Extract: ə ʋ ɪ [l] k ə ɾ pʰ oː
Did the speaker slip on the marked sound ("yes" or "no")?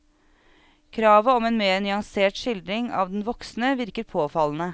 yes